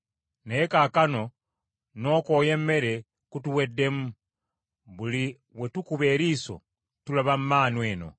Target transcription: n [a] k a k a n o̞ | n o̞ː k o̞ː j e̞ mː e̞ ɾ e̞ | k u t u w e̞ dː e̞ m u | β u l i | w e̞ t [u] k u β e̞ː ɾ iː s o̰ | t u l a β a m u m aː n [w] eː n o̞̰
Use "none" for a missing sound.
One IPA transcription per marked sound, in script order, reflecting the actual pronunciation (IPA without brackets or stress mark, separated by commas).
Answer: e, u, w